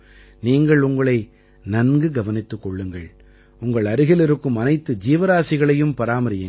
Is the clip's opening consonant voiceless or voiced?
voiced